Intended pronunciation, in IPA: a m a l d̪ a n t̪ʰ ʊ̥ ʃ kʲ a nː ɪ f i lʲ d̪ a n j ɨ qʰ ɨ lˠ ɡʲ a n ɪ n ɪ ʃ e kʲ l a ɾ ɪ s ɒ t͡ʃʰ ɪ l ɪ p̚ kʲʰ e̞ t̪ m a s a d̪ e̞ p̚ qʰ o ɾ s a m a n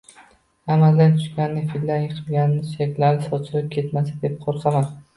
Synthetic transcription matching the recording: a m a l d̪ a n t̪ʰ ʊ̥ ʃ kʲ a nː ɪ f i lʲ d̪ a n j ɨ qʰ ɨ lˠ ɡʲ a n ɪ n ɪ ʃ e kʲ l a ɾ ɪ s ɒ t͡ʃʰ ɪ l ɪ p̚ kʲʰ e̞ t̪ m a s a d̪ e̞ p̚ qʰ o ɾ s a m a n